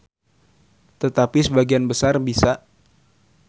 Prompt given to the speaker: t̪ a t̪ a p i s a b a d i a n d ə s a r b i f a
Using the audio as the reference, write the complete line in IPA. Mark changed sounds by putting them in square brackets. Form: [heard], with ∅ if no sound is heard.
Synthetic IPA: t̪ [ə] t̪ a p i s [ə] b a [ɡ] i a n [b] ə s a r b i [s] a

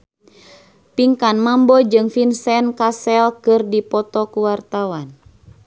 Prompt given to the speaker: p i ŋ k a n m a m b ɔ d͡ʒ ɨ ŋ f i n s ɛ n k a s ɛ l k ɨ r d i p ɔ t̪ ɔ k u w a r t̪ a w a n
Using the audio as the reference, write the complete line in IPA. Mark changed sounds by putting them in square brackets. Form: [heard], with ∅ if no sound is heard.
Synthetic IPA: p i ŋ k a n m a m b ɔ d͡ʒ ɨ ŋ f i n s ɛ n k a s ɛ l k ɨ r d i p ɔ t̪ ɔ k u w a r t̪ a w a n

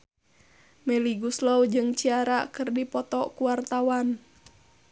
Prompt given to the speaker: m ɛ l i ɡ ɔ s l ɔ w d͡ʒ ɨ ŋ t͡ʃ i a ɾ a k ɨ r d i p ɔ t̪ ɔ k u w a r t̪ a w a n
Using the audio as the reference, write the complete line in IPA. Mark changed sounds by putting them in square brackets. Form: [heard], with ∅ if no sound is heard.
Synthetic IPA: m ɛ l i ɡ [u] s l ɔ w d͡ʒ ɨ ŋ t͡ʃ i a ɾ a k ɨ r d i p ɔ t̪ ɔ k u w a r t̪ a w a n

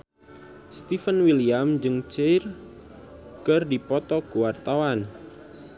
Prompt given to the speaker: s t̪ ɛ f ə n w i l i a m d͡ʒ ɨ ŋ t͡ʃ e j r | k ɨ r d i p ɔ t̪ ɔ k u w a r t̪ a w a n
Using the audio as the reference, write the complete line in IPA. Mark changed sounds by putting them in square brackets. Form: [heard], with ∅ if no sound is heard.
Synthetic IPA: s t̪ [i] f ə n w i l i a m d͡ʒ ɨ ŋ t͡ʃ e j r | k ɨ r d i p ɔ t̪ ɔ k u w a r t̪ a w a n

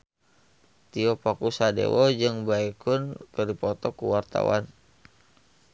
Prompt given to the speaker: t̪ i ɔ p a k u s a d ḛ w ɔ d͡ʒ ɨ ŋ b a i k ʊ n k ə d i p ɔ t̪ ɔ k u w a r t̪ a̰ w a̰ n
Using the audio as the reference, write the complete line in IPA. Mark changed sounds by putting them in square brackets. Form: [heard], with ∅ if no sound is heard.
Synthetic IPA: t̪ i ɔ p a k u s a d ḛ w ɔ d͡ʒ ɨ ŋ b a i k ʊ n k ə d i p ɔ t̪ ɔ k u w a r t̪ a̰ w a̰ n

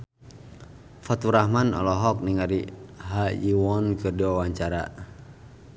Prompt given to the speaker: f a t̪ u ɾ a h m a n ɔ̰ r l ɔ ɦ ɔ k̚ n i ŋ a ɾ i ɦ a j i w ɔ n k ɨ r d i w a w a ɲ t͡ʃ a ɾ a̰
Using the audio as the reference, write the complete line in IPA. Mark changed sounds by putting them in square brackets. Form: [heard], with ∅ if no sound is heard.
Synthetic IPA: f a t̪ u ɾ a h m a n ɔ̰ [∅] l ɔ ɦ ɔ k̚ n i ŋ a ɾ i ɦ a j i w ɔ n k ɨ r d i w a w a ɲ t͡ʃ a ɾ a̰

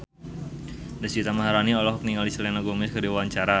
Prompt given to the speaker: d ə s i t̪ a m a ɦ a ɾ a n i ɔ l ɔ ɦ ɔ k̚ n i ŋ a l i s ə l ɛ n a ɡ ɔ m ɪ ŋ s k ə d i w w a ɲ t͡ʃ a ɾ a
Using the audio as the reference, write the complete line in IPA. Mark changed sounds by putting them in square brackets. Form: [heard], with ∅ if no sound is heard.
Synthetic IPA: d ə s i t̪ a m a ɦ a ɾ a n i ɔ l ɔ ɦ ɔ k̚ n i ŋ a l i s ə l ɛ n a ɡ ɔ m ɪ [∅] s k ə d i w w a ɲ t͡ʃ a ɾ a

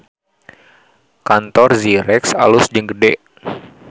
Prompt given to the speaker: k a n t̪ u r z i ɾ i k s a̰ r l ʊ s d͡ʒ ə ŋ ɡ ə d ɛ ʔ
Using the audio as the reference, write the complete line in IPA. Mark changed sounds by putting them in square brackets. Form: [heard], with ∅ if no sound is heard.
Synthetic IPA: k a n t̪ [ɔ] r z i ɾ [ɛ] k s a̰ [∅] l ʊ s d͡ʒ ə ŋ ɡ ə d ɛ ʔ

